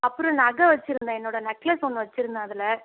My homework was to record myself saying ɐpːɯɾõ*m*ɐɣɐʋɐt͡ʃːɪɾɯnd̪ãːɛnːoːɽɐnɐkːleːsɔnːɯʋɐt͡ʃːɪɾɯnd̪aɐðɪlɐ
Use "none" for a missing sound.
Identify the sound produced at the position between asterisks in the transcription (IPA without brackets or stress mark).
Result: n